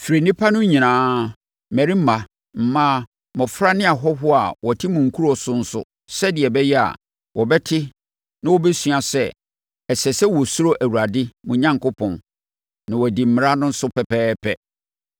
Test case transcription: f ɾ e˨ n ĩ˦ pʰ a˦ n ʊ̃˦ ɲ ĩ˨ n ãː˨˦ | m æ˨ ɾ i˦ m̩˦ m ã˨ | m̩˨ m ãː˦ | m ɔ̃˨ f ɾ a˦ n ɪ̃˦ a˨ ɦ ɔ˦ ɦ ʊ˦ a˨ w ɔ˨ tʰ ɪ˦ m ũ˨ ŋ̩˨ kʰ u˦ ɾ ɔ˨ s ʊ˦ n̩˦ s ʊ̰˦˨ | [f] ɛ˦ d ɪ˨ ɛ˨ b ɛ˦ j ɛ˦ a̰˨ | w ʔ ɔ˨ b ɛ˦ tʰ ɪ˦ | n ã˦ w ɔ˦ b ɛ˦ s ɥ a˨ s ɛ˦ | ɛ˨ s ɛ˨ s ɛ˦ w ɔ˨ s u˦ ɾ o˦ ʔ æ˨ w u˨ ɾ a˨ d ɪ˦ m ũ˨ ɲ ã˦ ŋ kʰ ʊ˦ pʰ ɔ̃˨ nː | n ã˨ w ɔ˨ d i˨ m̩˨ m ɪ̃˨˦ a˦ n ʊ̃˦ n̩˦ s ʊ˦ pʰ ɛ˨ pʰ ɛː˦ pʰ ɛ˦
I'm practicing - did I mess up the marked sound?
yes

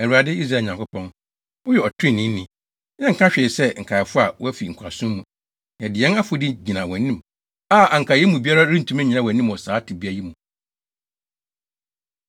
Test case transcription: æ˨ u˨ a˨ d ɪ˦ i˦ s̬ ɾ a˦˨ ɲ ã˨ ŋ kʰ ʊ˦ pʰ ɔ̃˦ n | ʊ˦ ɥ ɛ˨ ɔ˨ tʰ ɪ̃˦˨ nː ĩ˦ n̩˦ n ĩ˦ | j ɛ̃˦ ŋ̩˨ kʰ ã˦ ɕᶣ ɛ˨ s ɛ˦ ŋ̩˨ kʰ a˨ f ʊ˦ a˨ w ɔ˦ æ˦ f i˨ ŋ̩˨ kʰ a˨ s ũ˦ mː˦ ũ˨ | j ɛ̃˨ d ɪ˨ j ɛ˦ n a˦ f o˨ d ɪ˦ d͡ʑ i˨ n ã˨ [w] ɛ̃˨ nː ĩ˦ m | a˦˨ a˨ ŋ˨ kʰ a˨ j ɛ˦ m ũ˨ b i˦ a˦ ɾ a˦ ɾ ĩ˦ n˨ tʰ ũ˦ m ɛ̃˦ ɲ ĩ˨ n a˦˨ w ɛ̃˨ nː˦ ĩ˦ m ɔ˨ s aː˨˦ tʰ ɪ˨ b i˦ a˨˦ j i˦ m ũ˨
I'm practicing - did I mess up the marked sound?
no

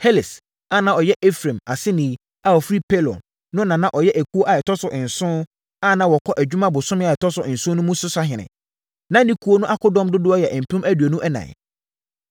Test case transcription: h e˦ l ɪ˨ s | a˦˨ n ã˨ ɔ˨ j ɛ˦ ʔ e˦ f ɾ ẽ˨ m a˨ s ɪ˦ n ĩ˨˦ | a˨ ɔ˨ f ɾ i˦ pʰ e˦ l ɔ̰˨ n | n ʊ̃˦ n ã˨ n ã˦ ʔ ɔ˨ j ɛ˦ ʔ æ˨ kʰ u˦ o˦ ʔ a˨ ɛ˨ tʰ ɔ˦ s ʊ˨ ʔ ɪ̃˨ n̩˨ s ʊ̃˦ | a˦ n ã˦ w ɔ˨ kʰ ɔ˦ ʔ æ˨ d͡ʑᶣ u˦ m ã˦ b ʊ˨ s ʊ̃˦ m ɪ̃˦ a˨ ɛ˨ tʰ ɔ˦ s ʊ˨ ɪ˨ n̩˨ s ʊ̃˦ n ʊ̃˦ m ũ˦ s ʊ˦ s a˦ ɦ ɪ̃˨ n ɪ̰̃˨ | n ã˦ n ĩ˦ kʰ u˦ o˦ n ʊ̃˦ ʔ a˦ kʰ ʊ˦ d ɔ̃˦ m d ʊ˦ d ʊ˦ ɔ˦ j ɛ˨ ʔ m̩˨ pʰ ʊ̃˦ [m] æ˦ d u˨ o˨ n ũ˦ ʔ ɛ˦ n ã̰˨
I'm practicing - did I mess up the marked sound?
no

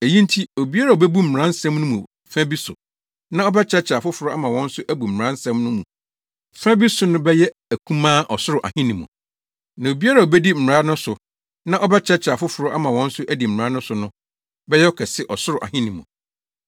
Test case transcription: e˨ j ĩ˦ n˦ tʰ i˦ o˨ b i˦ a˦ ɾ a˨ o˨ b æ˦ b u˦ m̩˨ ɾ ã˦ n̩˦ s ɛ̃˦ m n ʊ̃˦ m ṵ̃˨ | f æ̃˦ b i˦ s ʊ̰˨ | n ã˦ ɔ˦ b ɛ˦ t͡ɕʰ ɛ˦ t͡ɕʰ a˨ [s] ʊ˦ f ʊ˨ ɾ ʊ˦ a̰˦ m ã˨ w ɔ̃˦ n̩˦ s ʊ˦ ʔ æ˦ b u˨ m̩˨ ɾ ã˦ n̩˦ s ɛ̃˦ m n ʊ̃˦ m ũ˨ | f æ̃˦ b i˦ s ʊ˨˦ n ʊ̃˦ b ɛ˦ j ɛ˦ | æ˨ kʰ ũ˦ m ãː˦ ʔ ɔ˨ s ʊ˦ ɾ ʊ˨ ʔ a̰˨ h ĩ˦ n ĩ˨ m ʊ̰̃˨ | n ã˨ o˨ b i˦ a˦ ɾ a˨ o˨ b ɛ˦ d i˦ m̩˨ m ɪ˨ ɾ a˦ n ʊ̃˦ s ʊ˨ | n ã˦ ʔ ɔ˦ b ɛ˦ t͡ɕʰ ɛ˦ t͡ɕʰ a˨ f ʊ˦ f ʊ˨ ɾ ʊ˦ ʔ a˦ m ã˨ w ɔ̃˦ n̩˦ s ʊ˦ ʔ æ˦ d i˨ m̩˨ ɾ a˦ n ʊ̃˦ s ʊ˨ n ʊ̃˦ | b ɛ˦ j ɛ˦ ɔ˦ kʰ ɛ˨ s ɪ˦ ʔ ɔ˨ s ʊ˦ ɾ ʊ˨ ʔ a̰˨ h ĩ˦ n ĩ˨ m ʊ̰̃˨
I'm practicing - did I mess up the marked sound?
yes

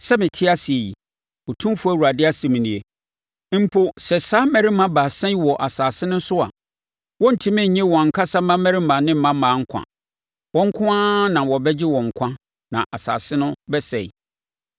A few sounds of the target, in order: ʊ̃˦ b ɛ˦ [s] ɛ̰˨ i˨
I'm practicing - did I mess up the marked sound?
no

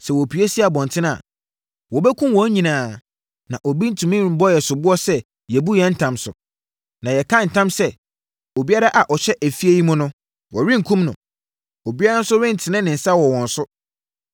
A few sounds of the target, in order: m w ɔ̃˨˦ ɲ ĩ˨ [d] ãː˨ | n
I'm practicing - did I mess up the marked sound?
yes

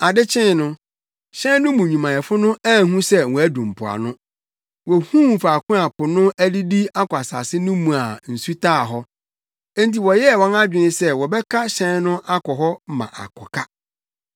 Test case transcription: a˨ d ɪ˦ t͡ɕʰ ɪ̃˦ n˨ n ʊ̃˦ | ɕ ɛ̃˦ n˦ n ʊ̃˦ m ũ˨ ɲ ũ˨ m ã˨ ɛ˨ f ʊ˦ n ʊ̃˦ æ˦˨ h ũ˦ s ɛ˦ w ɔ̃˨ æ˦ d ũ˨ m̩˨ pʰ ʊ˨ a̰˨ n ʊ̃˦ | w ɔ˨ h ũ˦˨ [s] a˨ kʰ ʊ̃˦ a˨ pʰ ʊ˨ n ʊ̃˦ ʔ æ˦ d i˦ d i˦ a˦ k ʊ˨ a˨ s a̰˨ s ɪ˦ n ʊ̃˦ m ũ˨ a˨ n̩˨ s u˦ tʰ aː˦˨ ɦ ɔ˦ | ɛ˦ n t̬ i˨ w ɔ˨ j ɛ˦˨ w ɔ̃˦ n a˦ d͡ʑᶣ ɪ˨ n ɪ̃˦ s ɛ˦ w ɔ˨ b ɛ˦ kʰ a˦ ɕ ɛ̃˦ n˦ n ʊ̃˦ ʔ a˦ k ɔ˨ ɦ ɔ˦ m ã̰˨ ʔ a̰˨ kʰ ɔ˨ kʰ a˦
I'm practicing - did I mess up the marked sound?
yes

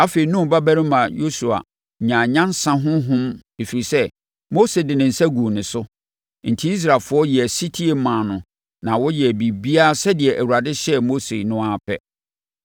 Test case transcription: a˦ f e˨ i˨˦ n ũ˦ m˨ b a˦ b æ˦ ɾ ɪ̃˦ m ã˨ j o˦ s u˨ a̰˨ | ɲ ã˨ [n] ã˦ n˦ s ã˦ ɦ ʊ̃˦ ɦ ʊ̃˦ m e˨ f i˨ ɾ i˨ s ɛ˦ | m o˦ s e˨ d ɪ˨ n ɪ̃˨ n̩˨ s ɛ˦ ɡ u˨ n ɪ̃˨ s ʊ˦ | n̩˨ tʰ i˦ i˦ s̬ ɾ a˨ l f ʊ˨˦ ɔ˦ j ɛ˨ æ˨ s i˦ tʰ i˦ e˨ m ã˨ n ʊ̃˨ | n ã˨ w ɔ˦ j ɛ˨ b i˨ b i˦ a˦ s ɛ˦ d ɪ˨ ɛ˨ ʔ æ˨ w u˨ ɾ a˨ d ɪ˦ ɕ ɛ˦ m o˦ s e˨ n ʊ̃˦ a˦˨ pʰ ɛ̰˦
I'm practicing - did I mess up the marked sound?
yes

